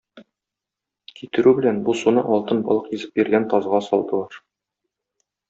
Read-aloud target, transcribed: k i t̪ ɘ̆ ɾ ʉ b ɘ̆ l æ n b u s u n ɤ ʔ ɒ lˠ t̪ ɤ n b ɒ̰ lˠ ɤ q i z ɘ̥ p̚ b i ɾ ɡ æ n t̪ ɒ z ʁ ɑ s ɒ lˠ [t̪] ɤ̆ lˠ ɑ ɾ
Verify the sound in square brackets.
incorrect: d̪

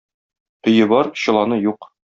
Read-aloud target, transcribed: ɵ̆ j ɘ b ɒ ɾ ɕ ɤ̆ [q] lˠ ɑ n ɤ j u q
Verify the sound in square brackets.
incorrect: none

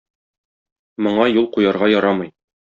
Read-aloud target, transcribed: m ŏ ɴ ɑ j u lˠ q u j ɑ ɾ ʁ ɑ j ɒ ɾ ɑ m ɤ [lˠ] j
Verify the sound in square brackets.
incorrect: none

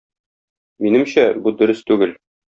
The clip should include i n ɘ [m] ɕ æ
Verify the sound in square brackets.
correct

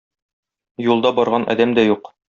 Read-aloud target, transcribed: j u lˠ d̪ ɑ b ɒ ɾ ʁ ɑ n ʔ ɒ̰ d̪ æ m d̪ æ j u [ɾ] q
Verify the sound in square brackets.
incorrect: none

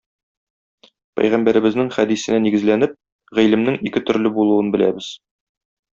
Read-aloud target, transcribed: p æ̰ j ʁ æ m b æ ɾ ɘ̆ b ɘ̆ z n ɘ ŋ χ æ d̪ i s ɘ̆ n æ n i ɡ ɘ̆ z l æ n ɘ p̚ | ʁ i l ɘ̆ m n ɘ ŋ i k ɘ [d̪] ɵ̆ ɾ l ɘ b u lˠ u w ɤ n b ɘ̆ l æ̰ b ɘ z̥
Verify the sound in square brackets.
incorrect: t̪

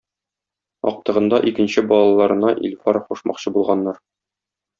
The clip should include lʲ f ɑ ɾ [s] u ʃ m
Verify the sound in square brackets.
incorrect: χ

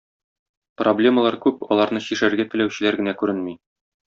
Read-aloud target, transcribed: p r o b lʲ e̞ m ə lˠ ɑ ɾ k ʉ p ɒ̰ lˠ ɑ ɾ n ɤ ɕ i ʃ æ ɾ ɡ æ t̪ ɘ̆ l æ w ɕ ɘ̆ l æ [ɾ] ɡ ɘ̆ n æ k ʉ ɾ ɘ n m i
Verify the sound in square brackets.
correct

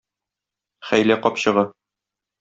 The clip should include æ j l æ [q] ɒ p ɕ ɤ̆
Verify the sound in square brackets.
correct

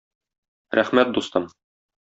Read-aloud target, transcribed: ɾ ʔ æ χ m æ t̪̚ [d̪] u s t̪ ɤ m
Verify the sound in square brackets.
correct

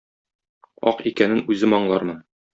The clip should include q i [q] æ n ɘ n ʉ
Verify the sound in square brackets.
incorrect: k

